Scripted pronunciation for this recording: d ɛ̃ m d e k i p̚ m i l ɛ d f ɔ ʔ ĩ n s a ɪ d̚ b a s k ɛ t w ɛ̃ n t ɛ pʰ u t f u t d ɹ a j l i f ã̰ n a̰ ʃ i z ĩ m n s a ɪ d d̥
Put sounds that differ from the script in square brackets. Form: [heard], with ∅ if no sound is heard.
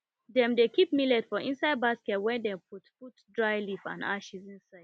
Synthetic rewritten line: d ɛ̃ m d e k i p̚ m i l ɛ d f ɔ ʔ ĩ n s a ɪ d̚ b a s k ɛ t w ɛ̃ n [d] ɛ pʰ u t f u t d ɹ a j l i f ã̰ n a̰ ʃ i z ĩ [∅] n s a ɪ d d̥